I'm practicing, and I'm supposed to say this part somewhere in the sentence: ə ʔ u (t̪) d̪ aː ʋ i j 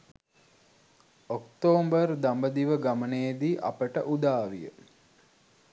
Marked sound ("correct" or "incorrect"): incorrect